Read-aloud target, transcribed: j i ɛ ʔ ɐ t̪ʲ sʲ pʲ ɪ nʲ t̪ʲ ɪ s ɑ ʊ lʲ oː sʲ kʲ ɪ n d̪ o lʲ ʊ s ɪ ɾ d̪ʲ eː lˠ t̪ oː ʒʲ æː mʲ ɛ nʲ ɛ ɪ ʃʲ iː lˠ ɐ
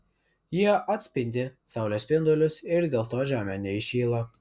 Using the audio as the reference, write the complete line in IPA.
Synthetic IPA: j i ɛ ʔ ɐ t̪ʲ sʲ pʲ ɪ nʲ d̪ʲ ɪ s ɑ ʊ lʲ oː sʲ pʲ ɪ n d̪ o lʲ ʊ s ɪ ɾ d̪ʲ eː lˠ t̪ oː ʒʲ æː mʲ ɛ nʲ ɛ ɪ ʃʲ iː lˠ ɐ